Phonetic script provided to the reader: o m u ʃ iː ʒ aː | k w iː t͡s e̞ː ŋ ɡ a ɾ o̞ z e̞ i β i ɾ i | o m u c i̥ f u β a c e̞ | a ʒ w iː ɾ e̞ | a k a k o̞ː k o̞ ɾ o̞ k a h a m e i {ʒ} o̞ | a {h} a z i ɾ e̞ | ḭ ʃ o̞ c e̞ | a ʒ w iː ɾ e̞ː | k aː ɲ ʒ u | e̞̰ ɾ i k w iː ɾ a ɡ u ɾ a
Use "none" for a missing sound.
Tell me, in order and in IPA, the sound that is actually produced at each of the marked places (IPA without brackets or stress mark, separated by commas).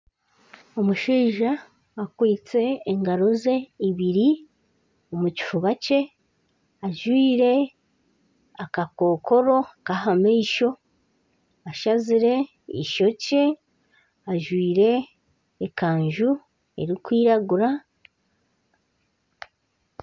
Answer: ʃ, ʃ